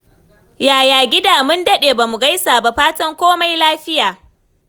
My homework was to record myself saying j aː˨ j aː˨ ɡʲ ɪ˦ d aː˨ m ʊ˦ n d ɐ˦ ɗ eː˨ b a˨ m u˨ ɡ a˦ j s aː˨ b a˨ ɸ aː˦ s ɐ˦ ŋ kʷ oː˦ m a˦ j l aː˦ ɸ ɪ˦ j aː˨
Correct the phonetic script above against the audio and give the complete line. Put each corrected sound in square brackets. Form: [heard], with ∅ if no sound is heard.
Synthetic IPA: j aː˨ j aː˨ ɡʲ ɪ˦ d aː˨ m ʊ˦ n d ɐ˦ ɗ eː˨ b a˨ m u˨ ɡ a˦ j s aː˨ b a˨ ɸ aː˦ [t] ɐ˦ ŋ kʷ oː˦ m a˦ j l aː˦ ɸ ɪ˦ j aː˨